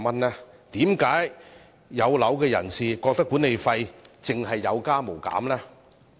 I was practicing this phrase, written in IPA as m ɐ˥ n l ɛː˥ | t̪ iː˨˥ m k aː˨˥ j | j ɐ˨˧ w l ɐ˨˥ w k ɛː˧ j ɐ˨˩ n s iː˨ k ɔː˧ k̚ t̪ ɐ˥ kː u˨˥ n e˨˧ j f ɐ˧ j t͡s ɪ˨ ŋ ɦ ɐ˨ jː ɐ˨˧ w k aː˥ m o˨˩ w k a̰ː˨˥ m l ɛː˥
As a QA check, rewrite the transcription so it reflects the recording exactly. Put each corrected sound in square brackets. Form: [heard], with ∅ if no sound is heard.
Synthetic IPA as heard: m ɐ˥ n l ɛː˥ | t̪ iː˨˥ m k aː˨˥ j | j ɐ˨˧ w l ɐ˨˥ w k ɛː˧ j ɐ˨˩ n s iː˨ k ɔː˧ k̚ t̪ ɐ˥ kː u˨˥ n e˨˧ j f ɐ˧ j t͡s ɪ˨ ŋ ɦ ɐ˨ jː ɐ˨˧ w k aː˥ m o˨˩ w k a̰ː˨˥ m l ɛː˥